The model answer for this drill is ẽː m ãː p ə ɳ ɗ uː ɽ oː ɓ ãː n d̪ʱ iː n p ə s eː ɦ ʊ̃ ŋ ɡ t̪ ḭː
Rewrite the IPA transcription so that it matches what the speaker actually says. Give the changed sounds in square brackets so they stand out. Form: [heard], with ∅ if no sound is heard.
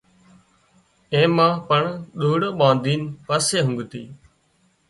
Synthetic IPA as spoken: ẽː m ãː p ə ɳ ɗ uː ɽ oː ɓ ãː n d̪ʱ iː n p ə s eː ɦ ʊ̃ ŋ ɡ t̪ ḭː